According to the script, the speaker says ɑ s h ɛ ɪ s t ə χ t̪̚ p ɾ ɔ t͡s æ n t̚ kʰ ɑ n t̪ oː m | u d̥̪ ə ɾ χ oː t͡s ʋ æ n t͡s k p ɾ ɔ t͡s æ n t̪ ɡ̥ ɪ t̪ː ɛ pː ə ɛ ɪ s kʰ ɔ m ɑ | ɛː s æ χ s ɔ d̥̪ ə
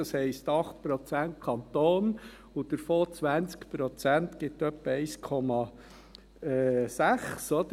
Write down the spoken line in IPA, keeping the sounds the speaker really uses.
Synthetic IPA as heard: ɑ s h ɛ ɪ s t ɑ χ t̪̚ p ɾ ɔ t͡s æ n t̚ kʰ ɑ n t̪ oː n | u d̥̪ ə ɾ f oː t͡s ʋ æ n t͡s k p ɾ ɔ t͡s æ n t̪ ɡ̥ ɪ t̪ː œ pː ə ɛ ɪ s kʰ ɔ m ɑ | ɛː s æ χ s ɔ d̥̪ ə